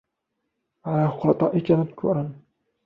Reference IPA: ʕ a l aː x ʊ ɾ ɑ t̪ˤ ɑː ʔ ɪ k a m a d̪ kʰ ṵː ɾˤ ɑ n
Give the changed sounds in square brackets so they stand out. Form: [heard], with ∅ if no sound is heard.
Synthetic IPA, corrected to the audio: ʕ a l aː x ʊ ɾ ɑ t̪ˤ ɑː ʔ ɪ k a m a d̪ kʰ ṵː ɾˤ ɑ n